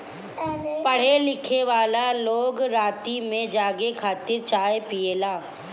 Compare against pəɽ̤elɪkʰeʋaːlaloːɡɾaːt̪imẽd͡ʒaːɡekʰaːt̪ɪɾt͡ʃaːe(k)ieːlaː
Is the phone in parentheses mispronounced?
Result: yes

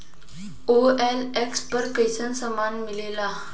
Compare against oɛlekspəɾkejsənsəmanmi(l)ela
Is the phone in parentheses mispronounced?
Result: no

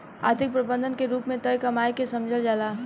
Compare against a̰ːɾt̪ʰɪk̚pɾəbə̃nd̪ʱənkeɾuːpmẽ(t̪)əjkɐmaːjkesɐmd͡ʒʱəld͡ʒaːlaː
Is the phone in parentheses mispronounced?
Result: no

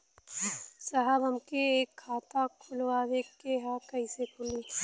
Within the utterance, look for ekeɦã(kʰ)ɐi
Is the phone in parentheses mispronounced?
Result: yes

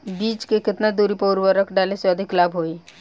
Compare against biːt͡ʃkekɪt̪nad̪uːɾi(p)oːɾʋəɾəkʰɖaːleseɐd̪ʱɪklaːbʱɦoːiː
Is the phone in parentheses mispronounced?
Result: no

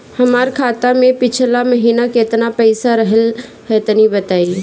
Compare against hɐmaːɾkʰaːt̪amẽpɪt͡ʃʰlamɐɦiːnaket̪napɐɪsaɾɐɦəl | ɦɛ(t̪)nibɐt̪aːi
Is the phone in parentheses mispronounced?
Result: no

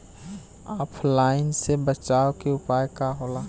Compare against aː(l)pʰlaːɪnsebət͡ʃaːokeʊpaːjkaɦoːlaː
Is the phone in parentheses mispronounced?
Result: yes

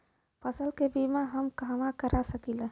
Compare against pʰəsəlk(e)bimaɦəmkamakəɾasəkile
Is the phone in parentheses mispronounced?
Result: no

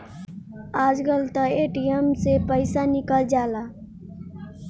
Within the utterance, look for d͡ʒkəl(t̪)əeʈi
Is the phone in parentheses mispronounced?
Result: no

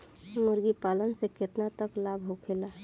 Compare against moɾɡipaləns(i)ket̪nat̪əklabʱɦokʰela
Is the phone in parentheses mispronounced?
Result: yes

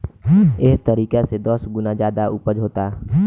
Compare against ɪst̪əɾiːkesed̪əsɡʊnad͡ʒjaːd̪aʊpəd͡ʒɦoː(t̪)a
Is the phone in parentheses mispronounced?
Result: no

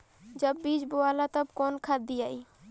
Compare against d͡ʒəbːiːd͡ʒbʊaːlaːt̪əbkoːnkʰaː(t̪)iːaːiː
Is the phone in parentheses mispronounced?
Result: yes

